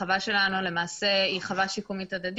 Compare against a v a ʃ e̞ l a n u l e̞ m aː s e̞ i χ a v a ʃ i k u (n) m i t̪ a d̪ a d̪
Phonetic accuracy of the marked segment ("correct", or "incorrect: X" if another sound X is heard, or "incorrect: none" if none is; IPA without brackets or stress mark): incorrect: none